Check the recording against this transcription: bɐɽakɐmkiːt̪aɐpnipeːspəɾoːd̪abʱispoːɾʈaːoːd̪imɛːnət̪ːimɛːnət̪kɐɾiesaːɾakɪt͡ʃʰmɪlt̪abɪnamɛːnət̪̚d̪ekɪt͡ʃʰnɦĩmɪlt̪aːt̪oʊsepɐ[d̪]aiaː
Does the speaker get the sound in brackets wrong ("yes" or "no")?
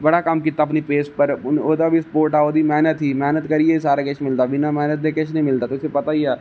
yes